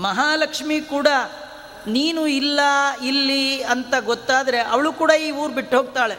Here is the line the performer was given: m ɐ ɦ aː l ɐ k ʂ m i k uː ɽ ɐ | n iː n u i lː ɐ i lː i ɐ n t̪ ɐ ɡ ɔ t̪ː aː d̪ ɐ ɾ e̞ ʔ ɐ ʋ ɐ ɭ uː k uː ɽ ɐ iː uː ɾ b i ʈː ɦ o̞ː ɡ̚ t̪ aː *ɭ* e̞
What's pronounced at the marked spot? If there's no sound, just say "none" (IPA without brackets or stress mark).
ɭ